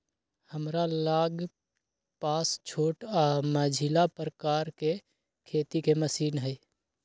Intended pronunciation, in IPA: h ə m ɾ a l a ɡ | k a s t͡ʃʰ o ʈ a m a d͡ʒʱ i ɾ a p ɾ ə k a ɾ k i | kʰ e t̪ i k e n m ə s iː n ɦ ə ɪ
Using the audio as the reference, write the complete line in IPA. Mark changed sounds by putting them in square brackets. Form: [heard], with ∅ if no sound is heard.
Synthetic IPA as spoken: h ə m ɾ a l a ɡ | [p] a s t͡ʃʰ o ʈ a m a d͡ʒʱ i [l] a p ɾ ə k a ɾ k [e] | kʰ e t̪ i k e [∅] m ə s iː n ɦ ə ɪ